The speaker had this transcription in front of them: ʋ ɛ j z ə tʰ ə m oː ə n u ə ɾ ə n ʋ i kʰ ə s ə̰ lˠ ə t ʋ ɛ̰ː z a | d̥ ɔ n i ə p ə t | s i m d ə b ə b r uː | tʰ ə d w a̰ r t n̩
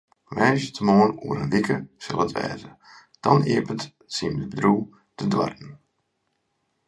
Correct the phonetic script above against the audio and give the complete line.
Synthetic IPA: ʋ ɛ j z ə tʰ ə m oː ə n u ə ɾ ə n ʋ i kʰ ə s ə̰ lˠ ə t ʋ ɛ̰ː z ə | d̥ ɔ n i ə p ə t | s i m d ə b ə d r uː | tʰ ə d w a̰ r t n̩

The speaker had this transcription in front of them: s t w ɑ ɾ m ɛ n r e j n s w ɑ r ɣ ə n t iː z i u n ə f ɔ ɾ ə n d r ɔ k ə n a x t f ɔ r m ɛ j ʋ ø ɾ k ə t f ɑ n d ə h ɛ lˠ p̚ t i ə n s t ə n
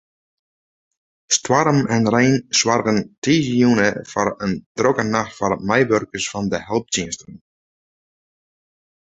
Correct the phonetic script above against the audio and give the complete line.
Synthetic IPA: s t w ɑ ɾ m ɛ n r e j n s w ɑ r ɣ ə n t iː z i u n ə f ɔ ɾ ə n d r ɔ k ə n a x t f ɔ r m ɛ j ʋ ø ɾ k ə s f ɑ n d ə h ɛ lˠ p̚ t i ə n s t ə n

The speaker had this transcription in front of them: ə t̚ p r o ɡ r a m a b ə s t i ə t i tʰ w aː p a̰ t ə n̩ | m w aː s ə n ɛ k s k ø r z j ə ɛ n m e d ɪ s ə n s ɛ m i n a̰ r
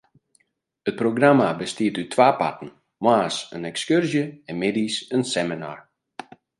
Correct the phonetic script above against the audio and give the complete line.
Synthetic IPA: ə t̚ p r o ɡ r a m a b ə s t i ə t y tʰ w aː p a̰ t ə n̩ | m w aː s ə n ɛ k s k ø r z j ə ɛ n m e d i s ə n s ɛ m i n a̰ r

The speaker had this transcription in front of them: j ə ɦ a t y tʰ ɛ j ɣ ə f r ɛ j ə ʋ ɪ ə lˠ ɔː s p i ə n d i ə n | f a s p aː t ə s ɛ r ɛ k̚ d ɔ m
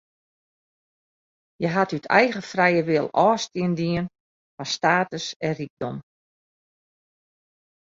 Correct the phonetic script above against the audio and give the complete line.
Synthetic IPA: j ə ɦ a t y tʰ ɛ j ɣ ə f r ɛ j ə ʋ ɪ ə lˠ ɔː s t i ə n d i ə n | f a s t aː t ə s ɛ r i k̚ d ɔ m

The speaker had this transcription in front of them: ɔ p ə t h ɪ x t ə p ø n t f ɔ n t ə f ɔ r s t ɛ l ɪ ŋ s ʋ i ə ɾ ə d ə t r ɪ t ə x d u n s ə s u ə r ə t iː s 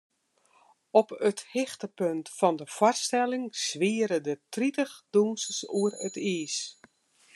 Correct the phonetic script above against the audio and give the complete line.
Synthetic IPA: ɔ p ə t h ɪ x t ə p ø n t f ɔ n d ə f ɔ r s t ɛ l ɪ ŋ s ʋ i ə ɾ ə d ə t r i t ə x d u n s ə s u ə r ə t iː s

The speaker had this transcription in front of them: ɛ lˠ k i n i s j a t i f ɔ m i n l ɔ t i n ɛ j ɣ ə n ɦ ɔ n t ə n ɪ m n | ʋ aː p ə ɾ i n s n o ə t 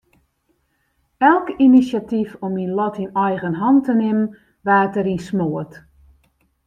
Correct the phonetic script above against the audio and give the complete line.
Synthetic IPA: ɛ lˠ k i n i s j a t i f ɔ m i n l ɔ t i n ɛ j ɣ ə n ɦ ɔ n t ə n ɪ m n | ʋ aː t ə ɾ i n s m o ə t

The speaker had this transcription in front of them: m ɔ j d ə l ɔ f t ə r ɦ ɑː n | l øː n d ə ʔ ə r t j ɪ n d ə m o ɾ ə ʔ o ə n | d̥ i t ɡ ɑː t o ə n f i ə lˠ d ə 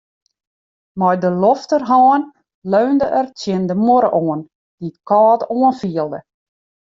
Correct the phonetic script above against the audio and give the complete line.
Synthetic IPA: m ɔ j d ə l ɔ f t ə r ɦ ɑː n | l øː n d ə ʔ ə r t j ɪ n d ə m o ɾ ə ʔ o ə n | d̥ i t k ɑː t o ə n f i ə lˠ d ə

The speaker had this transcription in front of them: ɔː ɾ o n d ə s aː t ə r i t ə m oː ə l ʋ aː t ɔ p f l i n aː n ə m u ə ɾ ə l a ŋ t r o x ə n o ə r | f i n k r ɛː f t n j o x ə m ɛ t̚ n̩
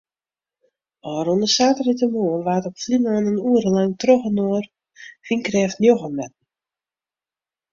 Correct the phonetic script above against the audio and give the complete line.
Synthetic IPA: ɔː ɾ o n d ə s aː t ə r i t ə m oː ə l ʋ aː t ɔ p f l i n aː n ə n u ə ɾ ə l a ŋ t r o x ə n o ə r | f i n k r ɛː f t n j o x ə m ɛ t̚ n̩

